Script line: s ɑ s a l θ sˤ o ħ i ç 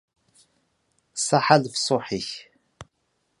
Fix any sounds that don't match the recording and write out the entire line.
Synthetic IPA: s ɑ ħ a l f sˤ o ħ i ç